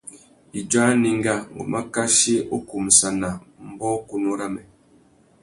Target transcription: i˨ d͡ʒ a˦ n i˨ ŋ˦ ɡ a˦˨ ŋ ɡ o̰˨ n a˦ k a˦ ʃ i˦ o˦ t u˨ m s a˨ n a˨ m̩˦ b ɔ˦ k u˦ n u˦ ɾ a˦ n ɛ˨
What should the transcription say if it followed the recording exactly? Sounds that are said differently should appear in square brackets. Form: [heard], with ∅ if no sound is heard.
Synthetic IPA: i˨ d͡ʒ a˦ n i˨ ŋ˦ ɡ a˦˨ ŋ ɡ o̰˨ [m] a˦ k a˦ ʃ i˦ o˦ [k] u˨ m s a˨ n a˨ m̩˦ b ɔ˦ k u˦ n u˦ ɾ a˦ [m] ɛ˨

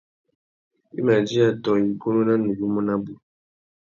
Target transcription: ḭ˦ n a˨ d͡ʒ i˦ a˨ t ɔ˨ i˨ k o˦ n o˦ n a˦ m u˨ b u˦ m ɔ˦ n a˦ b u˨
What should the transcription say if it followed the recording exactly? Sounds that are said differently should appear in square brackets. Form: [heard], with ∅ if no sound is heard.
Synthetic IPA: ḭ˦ [m] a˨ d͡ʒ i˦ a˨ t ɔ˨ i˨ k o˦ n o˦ n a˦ [n] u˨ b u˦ m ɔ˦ n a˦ b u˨

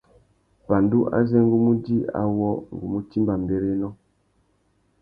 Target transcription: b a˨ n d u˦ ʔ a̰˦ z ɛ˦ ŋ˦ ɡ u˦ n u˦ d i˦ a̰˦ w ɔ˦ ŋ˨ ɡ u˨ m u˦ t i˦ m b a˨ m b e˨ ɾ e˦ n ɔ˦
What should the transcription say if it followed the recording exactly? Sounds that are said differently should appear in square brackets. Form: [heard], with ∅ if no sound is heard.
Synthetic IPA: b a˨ n d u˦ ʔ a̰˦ z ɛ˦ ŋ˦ ɡ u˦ [m] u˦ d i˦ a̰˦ w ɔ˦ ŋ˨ ɡ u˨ m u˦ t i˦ m b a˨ m b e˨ ɾ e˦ n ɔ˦

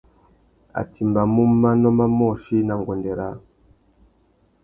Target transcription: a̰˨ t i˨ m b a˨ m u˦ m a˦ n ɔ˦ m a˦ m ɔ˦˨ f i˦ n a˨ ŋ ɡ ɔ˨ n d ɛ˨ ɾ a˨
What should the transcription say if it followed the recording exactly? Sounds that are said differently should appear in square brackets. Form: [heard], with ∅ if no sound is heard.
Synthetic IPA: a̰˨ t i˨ m b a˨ m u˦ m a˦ n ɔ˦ m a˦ m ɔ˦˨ [ʃ] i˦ n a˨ ŋ ɡ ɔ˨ n d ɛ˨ ɾ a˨

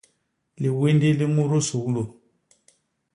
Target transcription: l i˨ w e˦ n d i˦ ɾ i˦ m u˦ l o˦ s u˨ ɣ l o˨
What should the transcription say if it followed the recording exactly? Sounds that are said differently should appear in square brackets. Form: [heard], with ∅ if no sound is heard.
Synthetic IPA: l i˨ w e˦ n d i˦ [l] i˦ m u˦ [ɾ] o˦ s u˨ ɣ l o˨

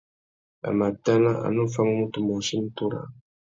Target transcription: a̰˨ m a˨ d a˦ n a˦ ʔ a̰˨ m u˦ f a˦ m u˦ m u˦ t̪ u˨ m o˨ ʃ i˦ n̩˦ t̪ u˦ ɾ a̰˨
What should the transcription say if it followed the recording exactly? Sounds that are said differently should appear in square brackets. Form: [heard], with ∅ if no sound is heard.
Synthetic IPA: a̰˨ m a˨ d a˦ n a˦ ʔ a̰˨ [n] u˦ f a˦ m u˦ m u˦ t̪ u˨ m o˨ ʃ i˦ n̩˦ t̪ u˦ ɾ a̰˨

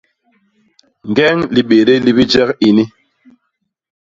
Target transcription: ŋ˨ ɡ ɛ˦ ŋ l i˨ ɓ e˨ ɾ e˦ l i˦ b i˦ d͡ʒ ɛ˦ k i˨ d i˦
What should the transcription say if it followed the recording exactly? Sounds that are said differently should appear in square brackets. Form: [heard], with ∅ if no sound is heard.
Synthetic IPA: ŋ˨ ɡ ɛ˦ ŋ l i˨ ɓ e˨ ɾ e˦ l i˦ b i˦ d͡ʒ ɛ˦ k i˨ [n] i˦

